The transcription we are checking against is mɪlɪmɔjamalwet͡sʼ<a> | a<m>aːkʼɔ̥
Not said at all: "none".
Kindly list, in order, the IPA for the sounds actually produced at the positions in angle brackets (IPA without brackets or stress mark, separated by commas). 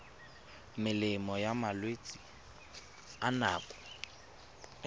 i, n